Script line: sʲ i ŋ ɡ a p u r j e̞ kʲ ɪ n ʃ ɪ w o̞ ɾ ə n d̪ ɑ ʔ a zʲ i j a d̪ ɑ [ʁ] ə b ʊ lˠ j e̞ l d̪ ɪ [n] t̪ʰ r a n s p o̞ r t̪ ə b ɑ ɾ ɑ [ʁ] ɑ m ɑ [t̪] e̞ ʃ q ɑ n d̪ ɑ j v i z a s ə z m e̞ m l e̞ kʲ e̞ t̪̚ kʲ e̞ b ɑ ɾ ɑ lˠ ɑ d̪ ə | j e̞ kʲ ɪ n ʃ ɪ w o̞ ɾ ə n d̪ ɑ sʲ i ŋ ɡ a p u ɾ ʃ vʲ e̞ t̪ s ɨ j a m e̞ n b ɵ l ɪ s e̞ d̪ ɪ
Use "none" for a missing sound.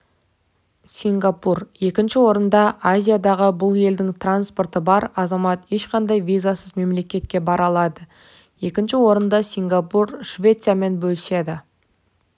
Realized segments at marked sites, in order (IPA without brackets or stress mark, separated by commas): ʁ, ŋ, z, t̪